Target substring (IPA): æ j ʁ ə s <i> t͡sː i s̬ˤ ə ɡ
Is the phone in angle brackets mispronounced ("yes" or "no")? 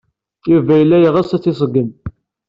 yes